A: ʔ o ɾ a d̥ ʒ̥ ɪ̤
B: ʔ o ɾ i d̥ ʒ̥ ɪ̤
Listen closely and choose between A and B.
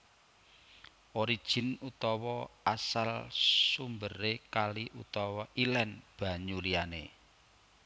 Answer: B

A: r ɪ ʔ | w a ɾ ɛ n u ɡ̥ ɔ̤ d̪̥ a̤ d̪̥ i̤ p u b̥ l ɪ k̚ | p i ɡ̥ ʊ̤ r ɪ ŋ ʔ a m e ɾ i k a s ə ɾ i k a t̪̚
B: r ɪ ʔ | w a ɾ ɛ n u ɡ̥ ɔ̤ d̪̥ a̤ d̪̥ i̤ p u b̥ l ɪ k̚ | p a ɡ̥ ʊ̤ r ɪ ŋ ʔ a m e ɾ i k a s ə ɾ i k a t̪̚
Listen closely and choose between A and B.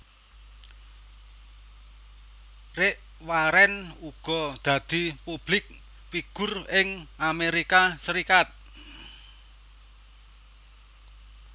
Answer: A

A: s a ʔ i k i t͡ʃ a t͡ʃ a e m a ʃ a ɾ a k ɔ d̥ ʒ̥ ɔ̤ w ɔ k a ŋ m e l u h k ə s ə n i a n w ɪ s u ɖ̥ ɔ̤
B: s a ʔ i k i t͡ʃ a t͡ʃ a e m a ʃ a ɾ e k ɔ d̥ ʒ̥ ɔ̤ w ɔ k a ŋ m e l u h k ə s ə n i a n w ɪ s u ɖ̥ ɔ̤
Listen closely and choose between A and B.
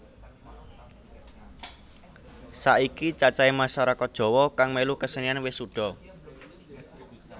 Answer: A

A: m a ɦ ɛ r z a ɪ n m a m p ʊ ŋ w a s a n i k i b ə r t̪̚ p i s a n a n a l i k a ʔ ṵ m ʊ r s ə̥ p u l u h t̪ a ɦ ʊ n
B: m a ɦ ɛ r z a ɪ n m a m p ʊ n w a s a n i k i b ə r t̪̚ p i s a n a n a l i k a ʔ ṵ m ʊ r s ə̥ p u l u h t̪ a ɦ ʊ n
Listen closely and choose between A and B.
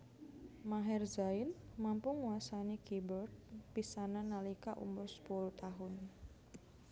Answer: A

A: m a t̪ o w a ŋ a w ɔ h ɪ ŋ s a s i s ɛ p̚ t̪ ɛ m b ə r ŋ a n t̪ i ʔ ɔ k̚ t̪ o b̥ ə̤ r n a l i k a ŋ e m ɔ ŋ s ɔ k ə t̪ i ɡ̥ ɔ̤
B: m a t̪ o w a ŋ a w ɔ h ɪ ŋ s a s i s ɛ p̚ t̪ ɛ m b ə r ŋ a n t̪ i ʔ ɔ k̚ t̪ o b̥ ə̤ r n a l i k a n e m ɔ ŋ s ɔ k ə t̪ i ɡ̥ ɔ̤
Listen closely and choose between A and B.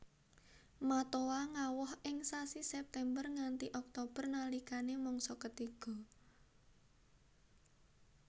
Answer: B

